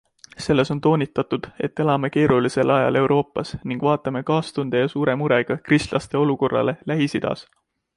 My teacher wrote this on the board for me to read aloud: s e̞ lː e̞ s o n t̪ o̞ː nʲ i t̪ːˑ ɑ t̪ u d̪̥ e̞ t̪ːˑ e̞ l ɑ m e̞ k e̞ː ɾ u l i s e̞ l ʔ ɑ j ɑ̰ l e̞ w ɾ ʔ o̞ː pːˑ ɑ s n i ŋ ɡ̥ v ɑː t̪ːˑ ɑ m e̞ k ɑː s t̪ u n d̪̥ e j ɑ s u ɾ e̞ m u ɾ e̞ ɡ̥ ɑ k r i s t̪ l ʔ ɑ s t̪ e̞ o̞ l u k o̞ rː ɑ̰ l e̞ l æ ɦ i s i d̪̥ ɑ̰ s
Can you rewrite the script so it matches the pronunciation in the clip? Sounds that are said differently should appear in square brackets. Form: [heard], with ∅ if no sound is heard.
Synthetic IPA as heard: s e̞ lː e̞ s o n t̪ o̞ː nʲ i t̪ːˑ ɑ t̪ u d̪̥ e̞ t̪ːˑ e̞ l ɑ m e̞ k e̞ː ɾ u l i s e̞ l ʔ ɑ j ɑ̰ l e̞ w ɾ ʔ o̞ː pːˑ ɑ s n i ŋ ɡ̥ v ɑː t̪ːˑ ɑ m e̞ k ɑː s t̪ u n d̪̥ e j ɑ s [uː] ɾ e̞ m u ɾ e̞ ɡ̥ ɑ k r i s t̪ l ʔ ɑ s t̪ e̞ o̞ l u k o̞ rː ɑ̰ l e̞ l æ ɦ i s i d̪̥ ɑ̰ s